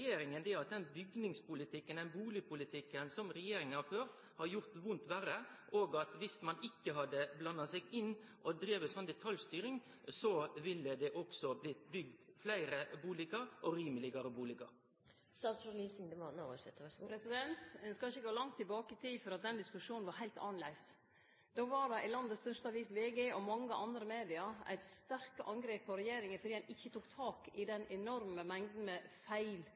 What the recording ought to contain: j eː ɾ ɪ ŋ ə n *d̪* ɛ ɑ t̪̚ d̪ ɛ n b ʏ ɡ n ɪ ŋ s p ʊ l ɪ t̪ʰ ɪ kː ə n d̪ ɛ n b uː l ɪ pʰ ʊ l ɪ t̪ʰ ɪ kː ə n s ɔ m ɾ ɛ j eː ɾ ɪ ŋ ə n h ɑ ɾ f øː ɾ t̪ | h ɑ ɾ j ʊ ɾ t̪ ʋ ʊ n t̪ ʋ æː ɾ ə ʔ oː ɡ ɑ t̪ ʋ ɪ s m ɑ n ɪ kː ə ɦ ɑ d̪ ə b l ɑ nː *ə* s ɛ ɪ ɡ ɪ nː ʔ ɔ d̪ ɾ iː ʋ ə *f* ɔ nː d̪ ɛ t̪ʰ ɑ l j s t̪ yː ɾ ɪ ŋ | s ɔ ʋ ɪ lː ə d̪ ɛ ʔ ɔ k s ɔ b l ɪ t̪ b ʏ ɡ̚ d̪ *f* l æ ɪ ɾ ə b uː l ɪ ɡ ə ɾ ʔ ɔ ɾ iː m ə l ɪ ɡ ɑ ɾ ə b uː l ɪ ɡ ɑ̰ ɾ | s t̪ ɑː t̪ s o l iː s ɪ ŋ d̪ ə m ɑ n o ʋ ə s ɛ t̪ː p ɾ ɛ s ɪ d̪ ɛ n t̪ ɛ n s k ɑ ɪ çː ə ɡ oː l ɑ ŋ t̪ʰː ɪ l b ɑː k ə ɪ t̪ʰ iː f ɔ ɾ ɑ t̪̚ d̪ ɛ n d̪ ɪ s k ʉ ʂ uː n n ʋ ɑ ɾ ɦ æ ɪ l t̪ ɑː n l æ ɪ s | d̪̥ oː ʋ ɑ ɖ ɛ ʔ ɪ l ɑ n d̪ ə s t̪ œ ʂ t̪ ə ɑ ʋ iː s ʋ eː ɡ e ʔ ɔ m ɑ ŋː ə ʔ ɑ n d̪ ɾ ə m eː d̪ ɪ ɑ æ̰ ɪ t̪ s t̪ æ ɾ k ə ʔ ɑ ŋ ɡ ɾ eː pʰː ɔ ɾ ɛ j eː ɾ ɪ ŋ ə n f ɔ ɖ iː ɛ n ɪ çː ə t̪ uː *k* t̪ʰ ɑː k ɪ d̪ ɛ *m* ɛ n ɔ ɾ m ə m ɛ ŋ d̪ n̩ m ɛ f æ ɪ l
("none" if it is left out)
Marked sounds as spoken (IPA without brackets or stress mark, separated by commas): d̪, ɑ, s, f, k, n